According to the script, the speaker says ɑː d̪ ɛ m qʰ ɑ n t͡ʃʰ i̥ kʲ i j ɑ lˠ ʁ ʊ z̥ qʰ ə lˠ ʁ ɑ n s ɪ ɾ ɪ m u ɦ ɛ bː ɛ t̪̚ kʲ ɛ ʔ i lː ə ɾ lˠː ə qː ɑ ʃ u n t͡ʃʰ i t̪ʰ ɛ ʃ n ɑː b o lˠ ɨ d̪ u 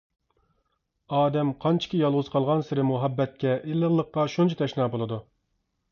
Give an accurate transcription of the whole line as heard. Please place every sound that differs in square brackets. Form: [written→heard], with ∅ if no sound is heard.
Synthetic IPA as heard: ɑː d̪ ɛ m qʰ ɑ n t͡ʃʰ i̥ kʲ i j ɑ lˠ ʁ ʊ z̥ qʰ [ə→ɑ] lˠ ʁ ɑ n s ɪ ɾ ɪ m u ɦ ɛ bː ɛ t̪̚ kʲ ɛ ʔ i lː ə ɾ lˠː ə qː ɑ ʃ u n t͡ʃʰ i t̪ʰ ɛ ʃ n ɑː b o lˠ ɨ d̪ u

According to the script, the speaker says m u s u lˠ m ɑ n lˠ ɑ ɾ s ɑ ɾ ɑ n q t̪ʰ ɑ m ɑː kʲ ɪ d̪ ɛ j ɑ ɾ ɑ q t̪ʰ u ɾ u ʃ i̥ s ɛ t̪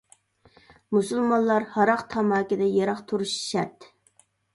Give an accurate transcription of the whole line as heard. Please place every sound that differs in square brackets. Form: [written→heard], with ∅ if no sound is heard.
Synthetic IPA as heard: m u s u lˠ m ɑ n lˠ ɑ ɾ [s→h] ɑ ɾ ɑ [n→∅] q t̪ʰ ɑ m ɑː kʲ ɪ d̪ ɛ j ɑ ɾ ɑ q t̪ʰ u ɾ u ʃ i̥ [s→ʃ] ɛ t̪

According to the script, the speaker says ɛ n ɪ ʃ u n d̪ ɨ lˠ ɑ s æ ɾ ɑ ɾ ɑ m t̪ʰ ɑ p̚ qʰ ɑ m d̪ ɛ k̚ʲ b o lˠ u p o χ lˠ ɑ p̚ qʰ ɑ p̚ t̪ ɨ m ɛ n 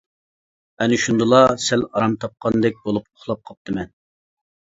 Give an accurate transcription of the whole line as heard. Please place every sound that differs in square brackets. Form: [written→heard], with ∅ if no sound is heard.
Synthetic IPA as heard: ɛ n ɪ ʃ u n d̪ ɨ lˠ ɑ s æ [ɾ→l] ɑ ɾ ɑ m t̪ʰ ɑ p̚ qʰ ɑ [m→n] d̪ ɛ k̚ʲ b o lˠ u p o χ lˠ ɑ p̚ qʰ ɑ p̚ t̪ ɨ m ɛ n

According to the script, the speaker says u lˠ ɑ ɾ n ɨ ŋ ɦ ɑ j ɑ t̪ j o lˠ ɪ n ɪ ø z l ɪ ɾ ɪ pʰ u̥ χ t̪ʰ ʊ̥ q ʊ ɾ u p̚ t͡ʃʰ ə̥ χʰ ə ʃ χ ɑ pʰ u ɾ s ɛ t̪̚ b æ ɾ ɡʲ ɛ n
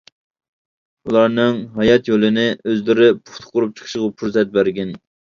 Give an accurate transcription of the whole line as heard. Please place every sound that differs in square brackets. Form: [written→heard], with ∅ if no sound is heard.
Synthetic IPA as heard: u lˠ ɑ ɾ n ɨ ŋ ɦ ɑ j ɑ t̪ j o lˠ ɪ n ɪ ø z l ɪ ɾ ɪ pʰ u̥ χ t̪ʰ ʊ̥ q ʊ ɾ u p̚ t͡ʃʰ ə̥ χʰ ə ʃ [χ→ʁ] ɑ pʰ u ɾ s ɛ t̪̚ b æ ɾ ɡʲ ɛ n

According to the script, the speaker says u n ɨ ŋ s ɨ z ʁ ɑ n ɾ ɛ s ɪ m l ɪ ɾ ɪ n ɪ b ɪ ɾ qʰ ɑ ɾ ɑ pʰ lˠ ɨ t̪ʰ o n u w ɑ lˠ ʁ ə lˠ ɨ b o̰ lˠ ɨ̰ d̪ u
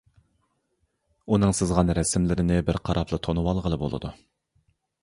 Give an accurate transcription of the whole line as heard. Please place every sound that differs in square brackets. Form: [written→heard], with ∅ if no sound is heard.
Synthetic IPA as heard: u n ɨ ŋ s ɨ z ʁ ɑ n ɾ ɛ s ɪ m l ɪ ɾ ɪ n ɪ b ɪ ɾ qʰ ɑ ɾ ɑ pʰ lˠ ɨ t̪ʰ o n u w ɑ lˠ ʁ ə lˠ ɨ b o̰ lˠ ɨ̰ d̪ u

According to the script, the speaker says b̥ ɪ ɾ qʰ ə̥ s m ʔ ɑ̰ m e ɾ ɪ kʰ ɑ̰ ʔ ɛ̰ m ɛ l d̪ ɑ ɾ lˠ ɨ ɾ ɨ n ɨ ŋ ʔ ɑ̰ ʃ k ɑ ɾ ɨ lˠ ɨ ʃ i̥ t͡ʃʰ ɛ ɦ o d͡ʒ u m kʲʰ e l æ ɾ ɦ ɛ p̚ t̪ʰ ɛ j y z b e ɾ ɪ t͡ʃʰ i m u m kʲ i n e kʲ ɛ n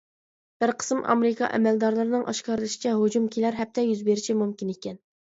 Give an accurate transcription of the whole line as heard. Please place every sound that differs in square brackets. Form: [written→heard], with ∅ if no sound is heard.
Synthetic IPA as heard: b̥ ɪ ɾ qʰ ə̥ s m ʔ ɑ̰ m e ɾ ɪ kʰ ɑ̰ ʔ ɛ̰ m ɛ l d̪ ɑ ɾ lˠ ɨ ɾ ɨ n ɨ ŋ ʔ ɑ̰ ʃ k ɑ ɾ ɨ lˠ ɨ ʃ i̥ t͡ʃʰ ɛ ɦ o d͡ʒ u m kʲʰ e l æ ɾ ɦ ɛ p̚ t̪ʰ ɛ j y z b e ɾ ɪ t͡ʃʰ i m u m kʲ i n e kʲ ɛ n

